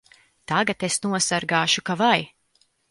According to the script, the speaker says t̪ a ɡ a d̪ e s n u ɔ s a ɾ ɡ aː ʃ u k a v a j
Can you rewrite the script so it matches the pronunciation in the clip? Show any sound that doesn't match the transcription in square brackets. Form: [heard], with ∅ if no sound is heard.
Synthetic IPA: t̪ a ɡ a [t̪] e s n u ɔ s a ɾ ɡ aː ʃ u k a v a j